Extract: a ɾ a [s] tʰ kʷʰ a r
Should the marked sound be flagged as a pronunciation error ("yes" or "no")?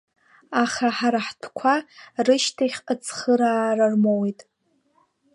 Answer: yes